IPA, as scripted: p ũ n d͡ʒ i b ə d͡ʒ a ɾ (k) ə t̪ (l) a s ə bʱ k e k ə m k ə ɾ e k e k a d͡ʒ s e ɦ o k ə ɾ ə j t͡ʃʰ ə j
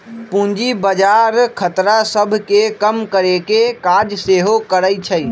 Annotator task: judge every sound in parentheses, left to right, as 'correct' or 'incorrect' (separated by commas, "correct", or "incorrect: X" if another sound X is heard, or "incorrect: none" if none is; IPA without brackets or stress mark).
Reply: incorrect: kʰ, incorrect: ɾ